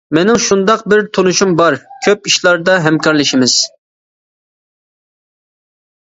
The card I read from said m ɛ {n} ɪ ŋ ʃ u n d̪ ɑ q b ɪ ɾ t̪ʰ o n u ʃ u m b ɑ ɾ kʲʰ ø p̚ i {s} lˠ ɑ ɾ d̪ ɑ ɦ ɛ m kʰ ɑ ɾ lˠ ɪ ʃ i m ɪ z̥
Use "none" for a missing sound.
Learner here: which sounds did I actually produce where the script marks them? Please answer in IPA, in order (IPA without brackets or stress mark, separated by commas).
n, ʃ